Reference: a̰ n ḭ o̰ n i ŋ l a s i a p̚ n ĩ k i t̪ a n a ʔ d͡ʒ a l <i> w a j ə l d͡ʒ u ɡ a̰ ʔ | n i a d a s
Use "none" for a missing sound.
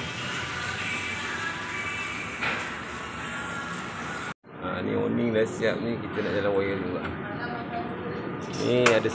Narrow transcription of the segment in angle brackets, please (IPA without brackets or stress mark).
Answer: a